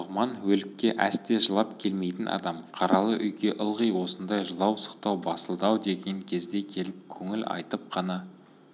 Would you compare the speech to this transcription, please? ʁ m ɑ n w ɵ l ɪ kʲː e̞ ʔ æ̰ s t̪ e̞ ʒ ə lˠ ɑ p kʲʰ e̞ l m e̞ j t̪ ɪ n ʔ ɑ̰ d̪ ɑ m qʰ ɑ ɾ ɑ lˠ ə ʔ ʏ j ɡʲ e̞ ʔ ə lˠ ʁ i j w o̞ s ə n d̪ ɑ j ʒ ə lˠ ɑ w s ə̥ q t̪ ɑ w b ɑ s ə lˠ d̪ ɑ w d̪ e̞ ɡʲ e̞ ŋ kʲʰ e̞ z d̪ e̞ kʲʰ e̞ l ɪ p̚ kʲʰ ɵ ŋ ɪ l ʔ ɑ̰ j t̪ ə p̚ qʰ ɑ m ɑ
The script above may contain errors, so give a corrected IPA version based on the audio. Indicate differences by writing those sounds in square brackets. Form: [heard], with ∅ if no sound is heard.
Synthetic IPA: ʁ m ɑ n w ɵ l ɪ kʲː e̞ ʔ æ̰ s t̪ e̞ ʒ ə lˠ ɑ p kʲʰ e̞ l m e̞ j t̪ ɪ n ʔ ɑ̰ d̪ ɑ m qʰ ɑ ɾ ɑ lˠ ə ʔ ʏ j ɡʲ e̞ ʔ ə lˠ ʁ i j w o̞ s ə n d̪ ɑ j ʒ ə lˠ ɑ w s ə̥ q t̪ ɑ w b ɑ s ə lˠ d̪ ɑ w d̪ e̞ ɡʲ e̞ ŋ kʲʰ e̞ z d̪ e̞ kʲʰ e̞ l ɪ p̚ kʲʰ ɵ ŋ ɪ l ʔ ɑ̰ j t̪ ə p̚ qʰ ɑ [n] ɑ